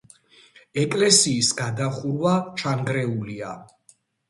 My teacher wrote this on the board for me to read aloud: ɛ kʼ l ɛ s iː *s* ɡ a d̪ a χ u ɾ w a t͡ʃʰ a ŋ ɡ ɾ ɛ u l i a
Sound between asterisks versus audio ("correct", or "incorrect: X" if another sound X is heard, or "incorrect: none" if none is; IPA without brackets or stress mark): correct